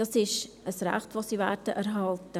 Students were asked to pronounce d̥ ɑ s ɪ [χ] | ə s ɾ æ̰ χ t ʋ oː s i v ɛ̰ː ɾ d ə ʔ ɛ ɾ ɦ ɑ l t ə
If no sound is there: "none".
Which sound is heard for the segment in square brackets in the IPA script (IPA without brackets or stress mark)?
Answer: ʃ